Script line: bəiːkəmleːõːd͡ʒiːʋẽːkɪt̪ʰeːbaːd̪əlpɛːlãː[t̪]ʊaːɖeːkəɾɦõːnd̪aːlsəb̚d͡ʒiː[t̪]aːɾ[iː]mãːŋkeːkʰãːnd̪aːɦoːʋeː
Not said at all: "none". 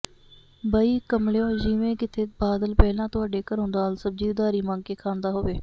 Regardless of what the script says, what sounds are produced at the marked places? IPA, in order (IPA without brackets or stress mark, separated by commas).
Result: t̪, d̪, iː